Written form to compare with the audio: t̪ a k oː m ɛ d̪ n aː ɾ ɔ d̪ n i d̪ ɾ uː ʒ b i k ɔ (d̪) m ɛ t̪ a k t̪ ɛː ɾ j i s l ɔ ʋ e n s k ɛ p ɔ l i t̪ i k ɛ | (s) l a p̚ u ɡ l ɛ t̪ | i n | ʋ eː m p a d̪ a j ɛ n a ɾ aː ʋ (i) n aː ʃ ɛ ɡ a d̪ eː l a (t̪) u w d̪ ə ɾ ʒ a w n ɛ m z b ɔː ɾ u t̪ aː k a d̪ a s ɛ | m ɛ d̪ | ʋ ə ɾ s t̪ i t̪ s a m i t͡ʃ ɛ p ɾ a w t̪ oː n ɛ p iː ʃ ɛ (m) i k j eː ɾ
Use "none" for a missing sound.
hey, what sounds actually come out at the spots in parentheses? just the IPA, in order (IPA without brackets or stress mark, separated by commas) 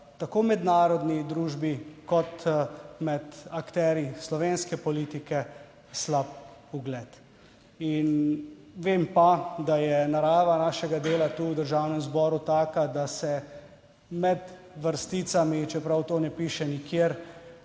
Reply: t̪, s, a, t̪, n